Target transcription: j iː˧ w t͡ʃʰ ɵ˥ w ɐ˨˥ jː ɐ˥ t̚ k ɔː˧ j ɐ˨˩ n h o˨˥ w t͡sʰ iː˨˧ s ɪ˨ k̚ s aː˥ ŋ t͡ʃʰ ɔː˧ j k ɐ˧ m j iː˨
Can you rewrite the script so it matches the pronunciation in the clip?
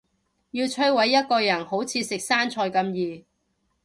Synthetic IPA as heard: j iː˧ w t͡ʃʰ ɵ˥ w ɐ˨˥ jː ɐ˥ t̚ k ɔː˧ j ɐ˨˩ n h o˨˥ w t͡sʰ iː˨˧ s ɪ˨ k̚ s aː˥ n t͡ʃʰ ɔː˧ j k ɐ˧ m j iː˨